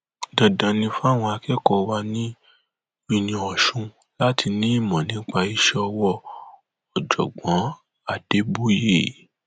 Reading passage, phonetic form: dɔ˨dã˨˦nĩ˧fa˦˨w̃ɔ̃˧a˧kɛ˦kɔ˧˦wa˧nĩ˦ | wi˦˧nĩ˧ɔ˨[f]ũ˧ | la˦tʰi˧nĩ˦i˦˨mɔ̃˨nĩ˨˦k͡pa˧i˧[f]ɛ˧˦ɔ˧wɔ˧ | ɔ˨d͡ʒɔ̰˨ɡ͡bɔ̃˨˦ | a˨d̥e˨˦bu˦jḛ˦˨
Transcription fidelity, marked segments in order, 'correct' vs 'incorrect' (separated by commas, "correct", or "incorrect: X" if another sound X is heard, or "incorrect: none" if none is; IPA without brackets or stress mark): incorrect: ʃ, incorrect: ʃ